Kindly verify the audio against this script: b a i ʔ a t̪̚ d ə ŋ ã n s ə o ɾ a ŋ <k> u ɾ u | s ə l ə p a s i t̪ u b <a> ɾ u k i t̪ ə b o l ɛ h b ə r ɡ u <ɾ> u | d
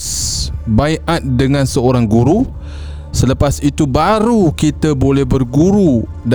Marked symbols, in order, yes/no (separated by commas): no, yes, yes